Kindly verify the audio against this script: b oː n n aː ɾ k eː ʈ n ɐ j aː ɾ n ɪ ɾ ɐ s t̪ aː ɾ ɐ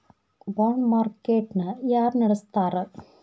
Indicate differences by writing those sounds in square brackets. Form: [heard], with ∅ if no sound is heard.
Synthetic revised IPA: b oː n [m] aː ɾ k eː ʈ n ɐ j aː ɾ n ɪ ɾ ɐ s t̪ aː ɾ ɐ